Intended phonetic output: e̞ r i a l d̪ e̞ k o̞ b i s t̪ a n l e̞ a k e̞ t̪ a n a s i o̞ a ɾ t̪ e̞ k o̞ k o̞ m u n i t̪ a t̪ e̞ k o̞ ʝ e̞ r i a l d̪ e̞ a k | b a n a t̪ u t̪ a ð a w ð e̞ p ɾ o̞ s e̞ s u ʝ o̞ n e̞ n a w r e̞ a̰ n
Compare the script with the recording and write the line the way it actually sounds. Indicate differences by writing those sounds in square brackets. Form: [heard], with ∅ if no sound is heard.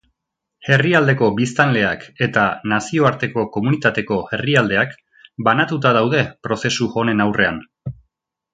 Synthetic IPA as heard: e̞ r i a l d̪ e̞ k o̞ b i s t̪ a n l e̞ a k e̞ t̪ a n a s i o̞ a ɾ t̪ e̞ k o̞ k o̞ m u n i t̪ a t̪ e̞ k o̞ [∅] e̞ r i a l d̪ e̞ a k | b a n a t̪ u t̪ a ð a w ð e̞ p ɾ o̞ s e̞ s u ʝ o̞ n e̞ n a w r e̞ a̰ n